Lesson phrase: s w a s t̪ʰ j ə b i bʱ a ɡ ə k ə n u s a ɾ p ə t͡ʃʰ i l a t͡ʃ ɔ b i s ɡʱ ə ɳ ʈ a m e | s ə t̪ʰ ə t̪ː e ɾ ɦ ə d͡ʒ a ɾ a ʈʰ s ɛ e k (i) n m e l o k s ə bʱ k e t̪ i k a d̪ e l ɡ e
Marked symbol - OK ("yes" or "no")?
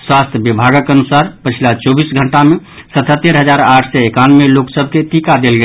no